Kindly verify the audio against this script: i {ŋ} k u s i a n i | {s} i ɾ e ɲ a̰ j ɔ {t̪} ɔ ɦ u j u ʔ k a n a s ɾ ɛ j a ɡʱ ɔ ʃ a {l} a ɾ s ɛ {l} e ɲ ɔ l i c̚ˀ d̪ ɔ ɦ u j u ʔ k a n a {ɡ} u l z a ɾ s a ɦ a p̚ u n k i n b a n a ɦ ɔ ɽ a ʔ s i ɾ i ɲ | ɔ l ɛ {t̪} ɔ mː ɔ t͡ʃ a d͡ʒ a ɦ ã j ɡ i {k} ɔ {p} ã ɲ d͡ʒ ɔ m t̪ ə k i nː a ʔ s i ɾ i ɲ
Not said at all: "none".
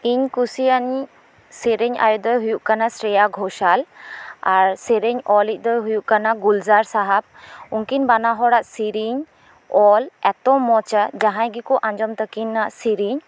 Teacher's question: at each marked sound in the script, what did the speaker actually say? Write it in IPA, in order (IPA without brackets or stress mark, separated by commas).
ɲ, s, d̪, l, ɾ, ɡ, t̪, k, ʔ